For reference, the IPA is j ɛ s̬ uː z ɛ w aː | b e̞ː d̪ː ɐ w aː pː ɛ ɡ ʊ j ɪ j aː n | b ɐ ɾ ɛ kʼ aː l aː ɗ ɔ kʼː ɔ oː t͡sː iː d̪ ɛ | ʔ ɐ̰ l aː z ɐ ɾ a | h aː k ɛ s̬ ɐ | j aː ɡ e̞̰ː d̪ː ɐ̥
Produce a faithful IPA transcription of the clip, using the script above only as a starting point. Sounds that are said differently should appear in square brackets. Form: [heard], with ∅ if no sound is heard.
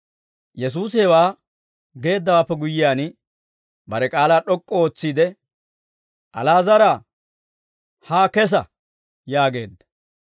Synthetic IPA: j ɛ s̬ uː [s] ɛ w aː | [ɡ] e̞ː d̪ː ɐ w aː pː ɛ ɡ ʊ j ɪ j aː n | b ɐ ɾ ɛ kʼ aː l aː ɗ ɔ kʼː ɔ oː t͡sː iː d̪ ɛ | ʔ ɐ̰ l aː z ɐ ɾ a | h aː k ɛ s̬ ɐ | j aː ɡ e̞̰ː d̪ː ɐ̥